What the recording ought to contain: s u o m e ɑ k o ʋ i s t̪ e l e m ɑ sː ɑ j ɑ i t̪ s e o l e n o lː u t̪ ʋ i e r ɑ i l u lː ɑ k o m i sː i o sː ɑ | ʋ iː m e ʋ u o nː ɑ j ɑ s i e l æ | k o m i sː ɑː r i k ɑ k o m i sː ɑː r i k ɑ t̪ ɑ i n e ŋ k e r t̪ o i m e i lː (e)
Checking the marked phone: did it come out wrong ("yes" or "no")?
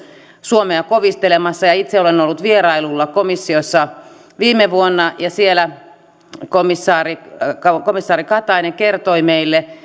no